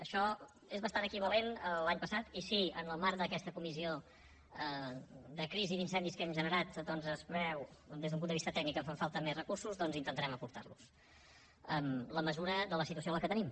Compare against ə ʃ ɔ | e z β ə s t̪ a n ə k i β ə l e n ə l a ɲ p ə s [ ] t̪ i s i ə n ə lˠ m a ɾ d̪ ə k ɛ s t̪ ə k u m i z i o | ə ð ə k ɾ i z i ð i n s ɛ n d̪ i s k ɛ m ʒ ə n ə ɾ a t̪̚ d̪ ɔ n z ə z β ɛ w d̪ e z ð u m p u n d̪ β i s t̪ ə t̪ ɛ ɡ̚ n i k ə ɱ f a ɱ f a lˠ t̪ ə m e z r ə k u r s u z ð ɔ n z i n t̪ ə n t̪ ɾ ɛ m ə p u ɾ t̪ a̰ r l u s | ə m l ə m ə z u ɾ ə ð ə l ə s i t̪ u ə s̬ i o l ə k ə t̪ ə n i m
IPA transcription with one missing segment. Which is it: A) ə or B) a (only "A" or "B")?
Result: B